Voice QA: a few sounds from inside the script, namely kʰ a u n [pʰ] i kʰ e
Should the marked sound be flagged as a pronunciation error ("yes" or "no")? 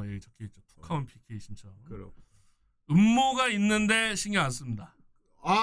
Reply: no